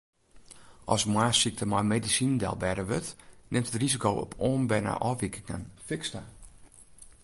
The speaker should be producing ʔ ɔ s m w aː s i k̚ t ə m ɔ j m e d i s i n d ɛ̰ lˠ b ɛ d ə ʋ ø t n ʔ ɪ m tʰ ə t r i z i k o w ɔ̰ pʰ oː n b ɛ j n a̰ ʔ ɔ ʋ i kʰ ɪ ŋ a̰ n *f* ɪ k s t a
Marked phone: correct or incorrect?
correct